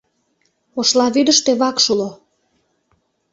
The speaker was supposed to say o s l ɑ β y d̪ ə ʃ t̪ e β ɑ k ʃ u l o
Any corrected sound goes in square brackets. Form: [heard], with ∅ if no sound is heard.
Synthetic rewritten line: o [ʃ] l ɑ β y d̪ ə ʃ t̪ e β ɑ k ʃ u l o